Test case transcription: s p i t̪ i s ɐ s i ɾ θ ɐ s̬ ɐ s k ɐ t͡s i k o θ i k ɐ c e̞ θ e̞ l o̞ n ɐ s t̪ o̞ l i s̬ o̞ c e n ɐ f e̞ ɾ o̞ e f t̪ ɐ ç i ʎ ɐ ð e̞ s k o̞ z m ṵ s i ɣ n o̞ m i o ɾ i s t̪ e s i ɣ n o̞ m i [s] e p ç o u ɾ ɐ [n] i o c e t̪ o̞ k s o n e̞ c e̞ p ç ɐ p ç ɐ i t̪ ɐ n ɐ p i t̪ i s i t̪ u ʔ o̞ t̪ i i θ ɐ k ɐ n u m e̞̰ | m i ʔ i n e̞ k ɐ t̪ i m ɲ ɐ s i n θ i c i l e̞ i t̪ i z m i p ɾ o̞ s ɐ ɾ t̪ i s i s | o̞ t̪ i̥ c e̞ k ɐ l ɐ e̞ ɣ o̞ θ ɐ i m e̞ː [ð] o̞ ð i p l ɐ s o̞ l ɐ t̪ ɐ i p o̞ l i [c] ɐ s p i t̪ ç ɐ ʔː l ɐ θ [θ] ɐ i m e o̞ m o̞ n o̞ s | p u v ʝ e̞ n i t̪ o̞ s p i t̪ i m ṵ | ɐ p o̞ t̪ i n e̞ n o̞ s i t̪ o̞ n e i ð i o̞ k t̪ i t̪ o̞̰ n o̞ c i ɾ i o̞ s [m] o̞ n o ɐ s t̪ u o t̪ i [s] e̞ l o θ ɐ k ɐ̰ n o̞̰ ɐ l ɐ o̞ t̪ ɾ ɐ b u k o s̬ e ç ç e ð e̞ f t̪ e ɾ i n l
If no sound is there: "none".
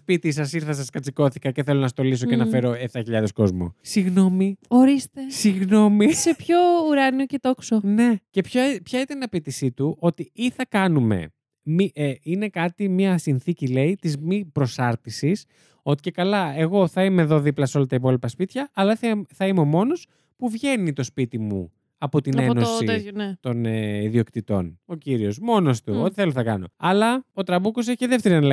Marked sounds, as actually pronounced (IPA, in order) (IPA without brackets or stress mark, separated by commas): s, n, ð, p, θ, m, θ